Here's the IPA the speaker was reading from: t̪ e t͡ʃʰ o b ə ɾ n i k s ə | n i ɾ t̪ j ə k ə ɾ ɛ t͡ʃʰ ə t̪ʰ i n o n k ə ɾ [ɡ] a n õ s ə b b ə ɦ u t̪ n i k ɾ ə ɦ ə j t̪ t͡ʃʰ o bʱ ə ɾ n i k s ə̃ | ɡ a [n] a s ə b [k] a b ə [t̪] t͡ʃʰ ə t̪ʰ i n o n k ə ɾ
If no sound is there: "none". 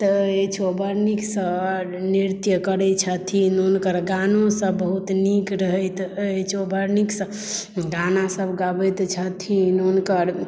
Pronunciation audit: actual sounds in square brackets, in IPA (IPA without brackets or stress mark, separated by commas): ɡ, n, ɡ, t̪